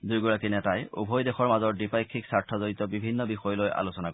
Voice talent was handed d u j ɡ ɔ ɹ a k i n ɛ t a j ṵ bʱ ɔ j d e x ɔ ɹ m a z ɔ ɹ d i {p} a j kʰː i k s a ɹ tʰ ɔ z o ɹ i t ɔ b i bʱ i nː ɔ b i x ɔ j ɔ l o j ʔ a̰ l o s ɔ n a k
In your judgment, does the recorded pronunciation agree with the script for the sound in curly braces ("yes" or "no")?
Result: yes